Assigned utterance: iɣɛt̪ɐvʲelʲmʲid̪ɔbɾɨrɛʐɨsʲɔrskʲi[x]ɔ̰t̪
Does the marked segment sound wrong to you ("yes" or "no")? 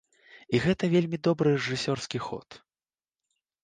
no